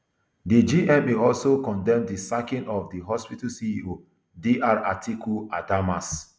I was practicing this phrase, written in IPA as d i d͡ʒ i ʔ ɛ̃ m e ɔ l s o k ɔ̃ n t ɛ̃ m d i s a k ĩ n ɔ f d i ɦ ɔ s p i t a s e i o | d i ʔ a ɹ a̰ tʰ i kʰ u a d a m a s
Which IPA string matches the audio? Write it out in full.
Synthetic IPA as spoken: d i d͡ʒ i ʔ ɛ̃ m e ɔ l s o k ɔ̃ n d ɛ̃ m d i s a k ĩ n ɔ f d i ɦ ɔ s p i t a s i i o | d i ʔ a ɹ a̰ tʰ i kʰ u a d a m a s